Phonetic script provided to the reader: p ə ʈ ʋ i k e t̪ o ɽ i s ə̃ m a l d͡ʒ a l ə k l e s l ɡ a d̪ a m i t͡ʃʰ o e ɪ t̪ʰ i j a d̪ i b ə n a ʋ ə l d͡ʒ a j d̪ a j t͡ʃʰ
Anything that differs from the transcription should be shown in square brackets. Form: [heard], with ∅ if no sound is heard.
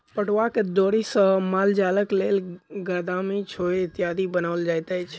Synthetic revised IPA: p ə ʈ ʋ [a] k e [d̪] o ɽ i s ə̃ m a l d͡ʒ a l ə k l e [∅] l ɡ a d̪ a m i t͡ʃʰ o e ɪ [t̪] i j a d̪ i b ə n a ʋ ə l d͡ʒ a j [t̪] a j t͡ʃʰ